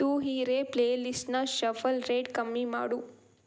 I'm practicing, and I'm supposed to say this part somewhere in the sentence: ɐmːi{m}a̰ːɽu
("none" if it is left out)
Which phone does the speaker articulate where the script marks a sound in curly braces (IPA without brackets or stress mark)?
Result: m